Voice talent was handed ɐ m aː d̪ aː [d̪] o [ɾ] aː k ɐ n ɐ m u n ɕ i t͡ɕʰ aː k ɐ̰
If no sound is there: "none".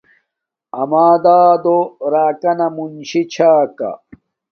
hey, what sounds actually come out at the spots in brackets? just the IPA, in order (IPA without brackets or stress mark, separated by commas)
d̪, ɾ